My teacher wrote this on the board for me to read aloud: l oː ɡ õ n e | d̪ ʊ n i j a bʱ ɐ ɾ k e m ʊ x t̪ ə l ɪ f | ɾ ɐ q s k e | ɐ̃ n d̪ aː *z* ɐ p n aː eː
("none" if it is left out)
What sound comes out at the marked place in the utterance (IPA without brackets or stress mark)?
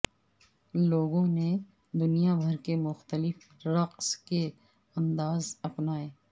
z